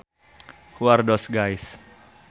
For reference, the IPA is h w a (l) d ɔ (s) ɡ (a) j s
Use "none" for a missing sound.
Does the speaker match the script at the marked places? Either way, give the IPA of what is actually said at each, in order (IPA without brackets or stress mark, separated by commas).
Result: r, s, a